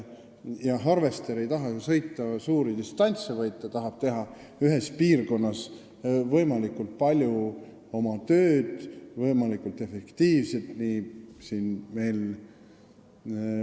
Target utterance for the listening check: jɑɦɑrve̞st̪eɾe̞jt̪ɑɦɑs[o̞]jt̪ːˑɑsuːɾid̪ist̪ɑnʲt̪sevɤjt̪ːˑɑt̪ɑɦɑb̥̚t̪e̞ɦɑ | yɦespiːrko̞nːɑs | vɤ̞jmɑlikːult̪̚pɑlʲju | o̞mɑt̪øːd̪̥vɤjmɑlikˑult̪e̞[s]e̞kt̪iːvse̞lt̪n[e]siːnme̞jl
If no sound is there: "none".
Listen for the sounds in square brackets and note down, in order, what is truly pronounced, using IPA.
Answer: ɤ̞, f, i

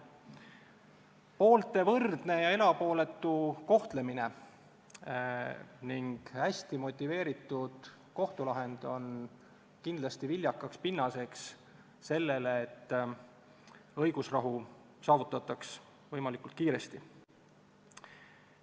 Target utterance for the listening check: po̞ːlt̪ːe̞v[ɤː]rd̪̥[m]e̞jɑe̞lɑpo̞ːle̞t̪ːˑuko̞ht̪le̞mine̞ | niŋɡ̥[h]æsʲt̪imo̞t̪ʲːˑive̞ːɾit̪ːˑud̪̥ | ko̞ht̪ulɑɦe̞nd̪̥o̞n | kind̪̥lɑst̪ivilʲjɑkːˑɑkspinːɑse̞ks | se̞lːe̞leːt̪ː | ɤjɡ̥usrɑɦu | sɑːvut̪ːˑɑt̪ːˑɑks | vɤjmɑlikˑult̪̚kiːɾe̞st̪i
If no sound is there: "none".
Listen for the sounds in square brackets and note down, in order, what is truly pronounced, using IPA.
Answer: ɤ, n, h

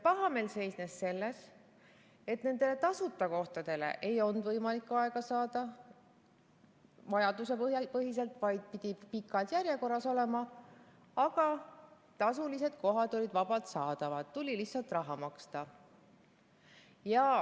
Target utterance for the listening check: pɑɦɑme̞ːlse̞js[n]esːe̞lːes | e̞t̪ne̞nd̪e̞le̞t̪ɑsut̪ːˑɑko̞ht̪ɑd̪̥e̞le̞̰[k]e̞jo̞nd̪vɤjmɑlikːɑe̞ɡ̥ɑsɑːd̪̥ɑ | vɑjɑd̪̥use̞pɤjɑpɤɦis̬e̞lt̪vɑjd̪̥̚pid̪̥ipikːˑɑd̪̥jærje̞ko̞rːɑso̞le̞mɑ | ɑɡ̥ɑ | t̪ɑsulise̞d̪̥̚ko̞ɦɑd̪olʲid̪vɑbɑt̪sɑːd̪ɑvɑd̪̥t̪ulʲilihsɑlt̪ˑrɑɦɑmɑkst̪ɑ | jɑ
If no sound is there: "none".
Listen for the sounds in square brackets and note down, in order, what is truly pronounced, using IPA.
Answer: n, ʔ

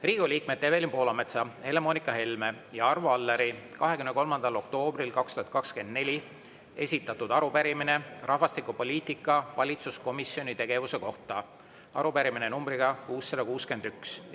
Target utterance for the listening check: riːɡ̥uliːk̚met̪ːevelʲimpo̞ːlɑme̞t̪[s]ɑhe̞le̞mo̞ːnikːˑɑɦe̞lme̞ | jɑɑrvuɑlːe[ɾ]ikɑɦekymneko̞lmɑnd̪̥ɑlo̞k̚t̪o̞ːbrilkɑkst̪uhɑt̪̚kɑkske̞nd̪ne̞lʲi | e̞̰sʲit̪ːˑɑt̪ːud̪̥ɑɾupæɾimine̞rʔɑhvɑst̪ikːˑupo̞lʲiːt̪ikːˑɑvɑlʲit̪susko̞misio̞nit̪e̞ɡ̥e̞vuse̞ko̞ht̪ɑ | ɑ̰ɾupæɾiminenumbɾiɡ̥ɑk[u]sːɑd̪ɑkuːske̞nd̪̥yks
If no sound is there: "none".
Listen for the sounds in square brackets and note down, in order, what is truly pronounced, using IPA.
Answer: s, ɾ, uː

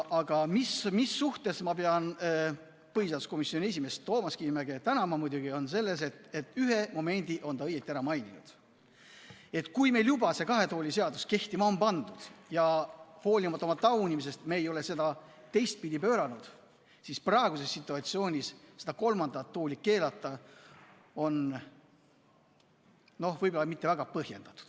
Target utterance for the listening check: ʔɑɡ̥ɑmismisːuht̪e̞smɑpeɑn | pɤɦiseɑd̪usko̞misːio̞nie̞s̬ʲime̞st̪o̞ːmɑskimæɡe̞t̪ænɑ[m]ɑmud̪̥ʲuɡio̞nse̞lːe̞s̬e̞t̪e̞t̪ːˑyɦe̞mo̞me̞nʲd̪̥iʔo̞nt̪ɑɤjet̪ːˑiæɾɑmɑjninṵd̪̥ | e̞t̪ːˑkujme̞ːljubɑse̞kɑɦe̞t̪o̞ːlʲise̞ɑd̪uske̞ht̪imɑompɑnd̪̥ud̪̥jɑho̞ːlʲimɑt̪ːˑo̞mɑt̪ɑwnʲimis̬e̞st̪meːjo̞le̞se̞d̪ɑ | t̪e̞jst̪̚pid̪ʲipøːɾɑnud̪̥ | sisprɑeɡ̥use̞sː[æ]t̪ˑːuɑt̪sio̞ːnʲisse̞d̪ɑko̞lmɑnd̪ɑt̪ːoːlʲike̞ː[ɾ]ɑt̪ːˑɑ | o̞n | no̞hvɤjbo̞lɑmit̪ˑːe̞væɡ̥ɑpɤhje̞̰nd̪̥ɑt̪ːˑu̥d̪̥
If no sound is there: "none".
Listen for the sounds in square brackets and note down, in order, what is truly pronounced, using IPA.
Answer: m, i, l

